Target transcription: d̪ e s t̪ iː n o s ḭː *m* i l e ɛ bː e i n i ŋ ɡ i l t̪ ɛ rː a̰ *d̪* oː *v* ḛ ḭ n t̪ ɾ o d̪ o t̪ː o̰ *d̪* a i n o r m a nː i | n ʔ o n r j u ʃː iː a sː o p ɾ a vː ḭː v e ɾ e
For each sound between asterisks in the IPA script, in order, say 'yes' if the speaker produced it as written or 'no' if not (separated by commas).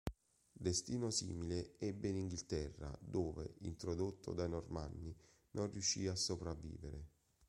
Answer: yes, yes, yes, yes